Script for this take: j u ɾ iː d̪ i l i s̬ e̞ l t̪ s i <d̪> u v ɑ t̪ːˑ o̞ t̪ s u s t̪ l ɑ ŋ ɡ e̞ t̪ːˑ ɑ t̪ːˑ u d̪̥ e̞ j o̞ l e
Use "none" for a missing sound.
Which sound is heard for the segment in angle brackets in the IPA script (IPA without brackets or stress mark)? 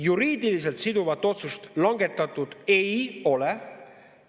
d̪